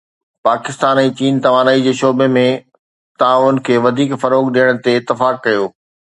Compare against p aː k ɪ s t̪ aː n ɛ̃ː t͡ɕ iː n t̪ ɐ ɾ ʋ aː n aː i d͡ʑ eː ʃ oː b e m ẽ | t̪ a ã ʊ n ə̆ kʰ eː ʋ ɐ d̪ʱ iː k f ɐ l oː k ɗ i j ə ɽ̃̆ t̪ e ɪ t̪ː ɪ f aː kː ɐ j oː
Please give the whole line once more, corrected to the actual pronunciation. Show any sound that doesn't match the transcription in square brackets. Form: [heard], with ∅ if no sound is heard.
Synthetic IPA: p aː k ɪ s t̪ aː n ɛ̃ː t͡ɕ iː n t̪ ɐ [∅] ʋ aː n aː i d͡ʑ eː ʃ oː b e m ẽ | t̪ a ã ʊ n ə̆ kʰ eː ʋ ɐ d̪ʱ iː k f ɐ [ɾ] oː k ɗ i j ə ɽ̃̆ t̪ e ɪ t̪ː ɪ f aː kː ɐ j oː